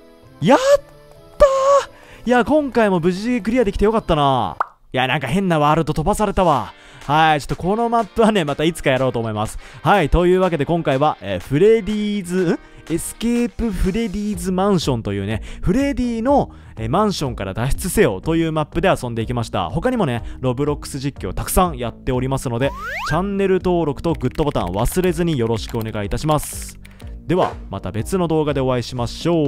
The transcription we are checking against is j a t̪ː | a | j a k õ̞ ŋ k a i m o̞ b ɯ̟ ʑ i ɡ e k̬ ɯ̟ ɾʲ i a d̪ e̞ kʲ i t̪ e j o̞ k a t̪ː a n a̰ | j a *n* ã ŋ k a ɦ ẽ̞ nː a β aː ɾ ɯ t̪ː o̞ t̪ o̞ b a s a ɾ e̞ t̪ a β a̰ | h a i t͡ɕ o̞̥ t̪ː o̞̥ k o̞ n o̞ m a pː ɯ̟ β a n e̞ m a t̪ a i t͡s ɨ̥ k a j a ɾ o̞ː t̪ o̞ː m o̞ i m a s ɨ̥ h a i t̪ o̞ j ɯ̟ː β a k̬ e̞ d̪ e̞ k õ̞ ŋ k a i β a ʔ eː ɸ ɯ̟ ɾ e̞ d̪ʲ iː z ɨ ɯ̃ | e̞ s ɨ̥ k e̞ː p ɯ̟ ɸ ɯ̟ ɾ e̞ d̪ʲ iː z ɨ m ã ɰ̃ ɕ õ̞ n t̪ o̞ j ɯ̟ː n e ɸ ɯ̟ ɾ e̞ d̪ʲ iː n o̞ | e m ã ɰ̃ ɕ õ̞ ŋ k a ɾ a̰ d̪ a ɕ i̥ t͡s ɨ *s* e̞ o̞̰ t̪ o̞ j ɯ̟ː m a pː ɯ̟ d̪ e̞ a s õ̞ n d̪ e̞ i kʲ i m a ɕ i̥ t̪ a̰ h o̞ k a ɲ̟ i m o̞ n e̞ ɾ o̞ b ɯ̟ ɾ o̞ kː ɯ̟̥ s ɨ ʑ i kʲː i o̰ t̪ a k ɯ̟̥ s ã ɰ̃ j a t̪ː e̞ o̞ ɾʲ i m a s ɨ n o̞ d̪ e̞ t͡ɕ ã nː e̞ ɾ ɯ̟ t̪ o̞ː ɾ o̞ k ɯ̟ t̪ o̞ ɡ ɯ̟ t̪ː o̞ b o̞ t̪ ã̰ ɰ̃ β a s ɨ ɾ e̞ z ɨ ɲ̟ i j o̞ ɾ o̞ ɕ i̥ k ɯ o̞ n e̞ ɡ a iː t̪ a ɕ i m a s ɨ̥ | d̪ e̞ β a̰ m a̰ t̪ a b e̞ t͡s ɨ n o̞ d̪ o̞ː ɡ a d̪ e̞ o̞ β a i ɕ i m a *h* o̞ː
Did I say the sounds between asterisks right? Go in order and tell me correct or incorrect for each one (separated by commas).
correct, correct, incorrect